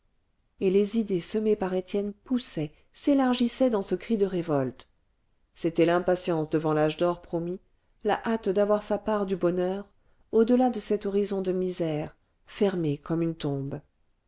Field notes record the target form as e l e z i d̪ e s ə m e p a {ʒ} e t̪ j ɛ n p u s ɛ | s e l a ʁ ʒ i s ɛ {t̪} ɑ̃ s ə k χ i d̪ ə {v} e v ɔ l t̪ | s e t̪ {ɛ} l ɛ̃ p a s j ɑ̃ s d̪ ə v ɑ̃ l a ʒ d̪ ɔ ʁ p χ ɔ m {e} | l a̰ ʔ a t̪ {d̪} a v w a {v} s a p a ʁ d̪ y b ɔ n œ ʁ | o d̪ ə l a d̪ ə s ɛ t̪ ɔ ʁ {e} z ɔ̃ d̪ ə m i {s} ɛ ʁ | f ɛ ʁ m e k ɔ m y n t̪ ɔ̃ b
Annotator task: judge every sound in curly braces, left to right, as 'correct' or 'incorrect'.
incorrect: ʁ, incorrect: d̪, incorrect: ʁ, correct, incorrect: i, correct, incorrect: ʁ, incorrect: i, incorrect: z

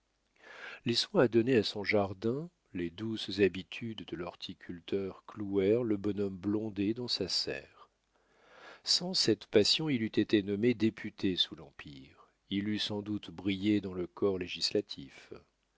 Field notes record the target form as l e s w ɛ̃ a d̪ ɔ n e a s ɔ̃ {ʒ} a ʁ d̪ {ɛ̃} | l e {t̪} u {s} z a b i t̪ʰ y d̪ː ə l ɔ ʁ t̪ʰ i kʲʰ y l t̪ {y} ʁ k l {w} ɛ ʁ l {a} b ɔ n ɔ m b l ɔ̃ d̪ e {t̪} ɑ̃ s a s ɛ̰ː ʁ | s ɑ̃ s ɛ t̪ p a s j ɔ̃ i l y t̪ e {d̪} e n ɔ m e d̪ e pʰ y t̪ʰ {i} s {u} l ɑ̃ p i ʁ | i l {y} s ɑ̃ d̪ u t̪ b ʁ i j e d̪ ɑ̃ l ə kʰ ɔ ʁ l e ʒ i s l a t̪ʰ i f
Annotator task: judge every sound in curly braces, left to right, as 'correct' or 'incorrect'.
correct, correct, incorrect: d̪, correct, incorrect: œ, incorrect: u, incorrect: ə, incorrect: d̪, incorrect: t̪, incorrect: e, correct, correct

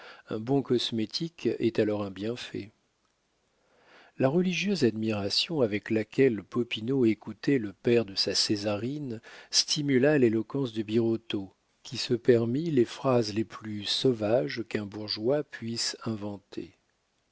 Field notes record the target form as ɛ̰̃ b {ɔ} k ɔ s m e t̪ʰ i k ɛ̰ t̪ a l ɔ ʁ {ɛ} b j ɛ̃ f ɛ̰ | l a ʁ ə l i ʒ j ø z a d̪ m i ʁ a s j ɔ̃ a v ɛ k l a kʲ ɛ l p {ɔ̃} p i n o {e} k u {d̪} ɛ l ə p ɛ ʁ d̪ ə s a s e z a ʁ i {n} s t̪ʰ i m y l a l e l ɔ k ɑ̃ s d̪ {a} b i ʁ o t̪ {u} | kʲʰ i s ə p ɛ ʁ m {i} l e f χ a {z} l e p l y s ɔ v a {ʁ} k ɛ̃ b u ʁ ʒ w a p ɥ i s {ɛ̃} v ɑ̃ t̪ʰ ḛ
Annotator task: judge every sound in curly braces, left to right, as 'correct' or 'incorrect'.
incorrect: ɔ̃, incorrect: ɛ̃, incorrect: ɔ, correct, incorrect: t̪, correct, incorrect: ə, incorrect: o, correct, correct, incorrect: ʒ, correct

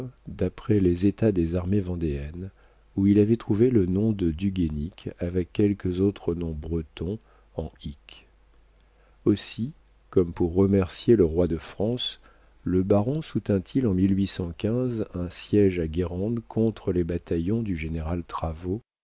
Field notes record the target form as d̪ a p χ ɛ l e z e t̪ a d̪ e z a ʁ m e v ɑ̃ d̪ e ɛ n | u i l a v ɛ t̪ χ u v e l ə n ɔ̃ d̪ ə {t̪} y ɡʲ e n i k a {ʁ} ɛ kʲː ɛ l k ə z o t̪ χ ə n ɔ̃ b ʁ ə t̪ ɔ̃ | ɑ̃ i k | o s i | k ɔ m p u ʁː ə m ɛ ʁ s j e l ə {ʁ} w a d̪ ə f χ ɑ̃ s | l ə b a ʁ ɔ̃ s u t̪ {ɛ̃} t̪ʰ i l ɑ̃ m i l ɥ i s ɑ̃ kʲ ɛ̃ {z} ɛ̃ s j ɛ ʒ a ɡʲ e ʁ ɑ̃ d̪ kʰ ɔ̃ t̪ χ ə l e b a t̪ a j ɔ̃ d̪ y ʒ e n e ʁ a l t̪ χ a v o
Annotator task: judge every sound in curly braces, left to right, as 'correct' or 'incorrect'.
incorrect: d̪, incorrect: v, correct, correct, correct

